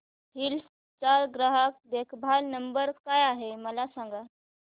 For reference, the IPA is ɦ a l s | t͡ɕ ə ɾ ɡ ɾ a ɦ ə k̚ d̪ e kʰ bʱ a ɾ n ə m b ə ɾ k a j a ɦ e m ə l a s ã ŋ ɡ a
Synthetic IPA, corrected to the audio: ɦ i l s | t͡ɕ a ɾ ɡ ɾ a ɦ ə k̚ d̪ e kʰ bʱ a l n ə m b ə ɾ k a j a ɦ e m ə l a s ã ŋ ɡ a